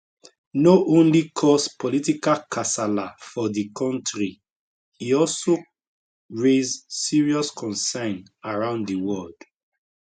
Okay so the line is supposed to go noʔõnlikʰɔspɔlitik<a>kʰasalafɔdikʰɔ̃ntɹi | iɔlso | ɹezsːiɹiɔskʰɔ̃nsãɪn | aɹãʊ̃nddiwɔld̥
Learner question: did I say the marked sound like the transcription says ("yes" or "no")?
yes